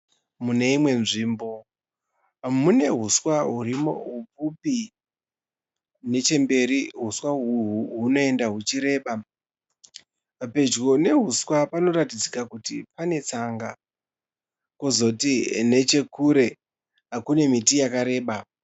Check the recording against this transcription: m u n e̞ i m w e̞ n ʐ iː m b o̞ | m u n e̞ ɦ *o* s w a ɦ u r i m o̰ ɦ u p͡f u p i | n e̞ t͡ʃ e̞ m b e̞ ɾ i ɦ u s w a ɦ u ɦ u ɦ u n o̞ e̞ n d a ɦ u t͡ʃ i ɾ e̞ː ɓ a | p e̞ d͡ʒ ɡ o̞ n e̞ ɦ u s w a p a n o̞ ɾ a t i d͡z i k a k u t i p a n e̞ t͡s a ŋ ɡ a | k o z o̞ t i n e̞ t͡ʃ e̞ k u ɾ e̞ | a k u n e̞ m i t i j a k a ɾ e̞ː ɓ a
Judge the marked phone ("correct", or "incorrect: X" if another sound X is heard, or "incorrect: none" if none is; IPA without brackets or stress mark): incorrect: u